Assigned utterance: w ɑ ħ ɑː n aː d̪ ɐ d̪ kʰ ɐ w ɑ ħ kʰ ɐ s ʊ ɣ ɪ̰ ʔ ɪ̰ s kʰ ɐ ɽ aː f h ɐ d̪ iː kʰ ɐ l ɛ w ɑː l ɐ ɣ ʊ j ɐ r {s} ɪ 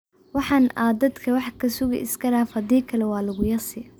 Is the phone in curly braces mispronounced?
no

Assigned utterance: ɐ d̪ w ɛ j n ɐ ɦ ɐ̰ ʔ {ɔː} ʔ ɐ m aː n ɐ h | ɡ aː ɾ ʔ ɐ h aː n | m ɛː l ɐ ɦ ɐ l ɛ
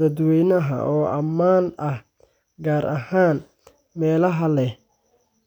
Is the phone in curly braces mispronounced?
no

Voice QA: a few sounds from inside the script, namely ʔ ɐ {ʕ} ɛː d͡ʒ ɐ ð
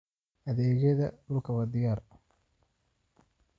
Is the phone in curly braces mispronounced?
yes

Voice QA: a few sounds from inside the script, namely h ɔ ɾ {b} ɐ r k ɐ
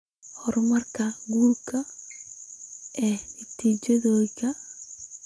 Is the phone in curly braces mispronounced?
yes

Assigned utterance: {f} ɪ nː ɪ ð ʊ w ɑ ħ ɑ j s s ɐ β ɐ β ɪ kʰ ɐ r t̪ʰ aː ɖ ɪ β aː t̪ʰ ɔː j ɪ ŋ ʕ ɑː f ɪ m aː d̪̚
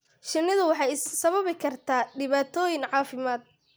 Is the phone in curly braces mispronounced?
yes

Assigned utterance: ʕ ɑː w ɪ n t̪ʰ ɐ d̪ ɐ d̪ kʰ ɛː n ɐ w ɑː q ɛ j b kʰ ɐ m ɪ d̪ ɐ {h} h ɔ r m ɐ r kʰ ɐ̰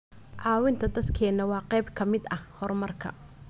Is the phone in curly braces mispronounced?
no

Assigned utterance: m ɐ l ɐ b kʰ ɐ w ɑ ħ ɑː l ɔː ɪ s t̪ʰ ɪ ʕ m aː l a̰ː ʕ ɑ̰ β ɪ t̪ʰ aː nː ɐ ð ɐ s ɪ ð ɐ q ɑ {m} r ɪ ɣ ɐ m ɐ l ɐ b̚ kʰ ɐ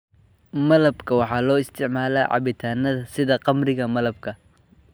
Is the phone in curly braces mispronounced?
no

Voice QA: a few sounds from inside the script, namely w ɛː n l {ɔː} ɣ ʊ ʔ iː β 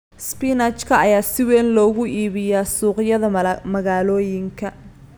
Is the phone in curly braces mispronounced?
no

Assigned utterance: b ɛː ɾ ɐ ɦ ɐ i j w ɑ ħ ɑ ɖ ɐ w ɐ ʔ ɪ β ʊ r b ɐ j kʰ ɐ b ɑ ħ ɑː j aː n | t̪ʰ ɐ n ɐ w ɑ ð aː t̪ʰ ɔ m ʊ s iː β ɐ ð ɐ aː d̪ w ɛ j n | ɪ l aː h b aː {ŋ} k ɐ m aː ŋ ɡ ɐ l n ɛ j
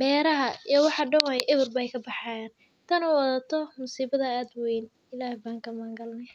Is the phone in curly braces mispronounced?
no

